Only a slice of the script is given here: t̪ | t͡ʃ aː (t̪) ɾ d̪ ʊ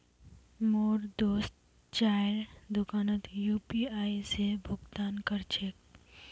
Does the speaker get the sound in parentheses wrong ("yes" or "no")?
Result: yes